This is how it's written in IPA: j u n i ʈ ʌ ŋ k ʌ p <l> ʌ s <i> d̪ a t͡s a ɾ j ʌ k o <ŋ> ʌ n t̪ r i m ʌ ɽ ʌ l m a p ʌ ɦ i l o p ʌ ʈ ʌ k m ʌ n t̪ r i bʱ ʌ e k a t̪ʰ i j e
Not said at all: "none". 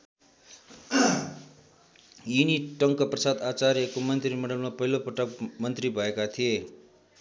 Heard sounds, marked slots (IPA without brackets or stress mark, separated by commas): r, a, m